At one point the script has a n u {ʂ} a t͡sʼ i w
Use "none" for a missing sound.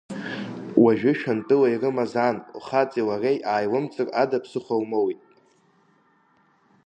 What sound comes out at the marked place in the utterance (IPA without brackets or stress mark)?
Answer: χ